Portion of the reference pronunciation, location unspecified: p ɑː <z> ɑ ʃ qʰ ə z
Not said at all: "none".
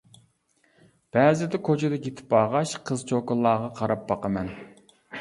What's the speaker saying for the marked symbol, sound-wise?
ʁ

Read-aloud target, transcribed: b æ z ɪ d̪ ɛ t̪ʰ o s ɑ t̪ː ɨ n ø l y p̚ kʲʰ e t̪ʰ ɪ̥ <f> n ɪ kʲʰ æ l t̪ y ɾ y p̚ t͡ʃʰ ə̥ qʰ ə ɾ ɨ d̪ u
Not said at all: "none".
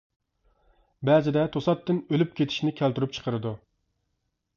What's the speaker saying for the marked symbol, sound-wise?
ʃ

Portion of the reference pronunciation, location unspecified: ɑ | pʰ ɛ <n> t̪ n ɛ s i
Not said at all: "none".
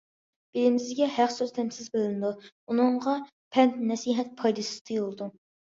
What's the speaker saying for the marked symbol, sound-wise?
n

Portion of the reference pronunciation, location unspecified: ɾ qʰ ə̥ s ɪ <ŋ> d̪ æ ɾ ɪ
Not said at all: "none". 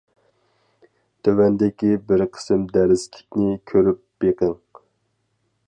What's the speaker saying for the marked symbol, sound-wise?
m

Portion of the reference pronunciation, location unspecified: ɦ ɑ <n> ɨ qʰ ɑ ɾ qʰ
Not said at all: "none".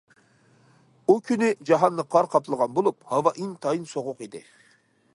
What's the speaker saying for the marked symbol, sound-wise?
nː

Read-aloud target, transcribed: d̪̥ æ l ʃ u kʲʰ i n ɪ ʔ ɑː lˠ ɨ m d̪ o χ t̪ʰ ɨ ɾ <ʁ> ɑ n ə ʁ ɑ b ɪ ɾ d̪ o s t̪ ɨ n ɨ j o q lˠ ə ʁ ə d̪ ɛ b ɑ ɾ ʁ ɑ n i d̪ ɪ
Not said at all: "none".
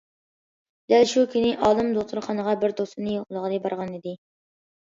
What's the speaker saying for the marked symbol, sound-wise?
χ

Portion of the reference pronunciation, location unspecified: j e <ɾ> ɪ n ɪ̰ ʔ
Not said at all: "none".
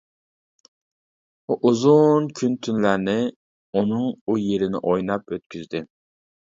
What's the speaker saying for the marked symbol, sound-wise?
ɾ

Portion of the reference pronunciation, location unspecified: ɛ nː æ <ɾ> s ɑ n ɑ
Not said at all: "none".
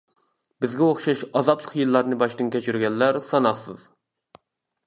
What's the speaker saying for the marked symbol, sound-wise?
ɾ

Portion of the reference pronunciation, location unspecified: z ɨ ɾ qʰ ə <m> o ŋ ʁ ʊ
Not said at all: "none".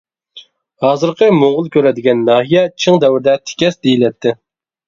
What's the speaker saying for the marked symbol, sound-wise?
m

